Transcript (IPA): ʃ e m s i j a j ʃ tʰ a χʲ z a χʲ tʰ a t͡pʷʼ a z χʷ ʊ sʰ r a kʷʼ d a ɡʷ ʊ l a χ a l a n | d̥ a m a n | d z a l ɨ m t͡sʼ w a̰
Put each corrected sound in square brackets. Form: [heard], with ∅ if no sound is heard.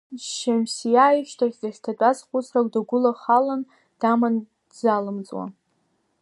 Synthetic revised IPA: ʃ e m s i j a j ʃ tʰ a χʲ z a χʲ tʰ a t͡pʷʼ a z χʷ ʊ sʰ r a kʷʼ d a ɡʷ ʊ l a χ a l a n | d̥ a m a n | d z a l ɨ m t͡sʼ w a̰